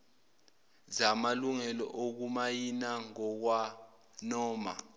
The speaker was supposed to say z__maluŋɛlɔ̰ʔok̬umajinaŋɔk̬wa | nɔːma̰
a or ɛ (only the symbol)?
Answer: a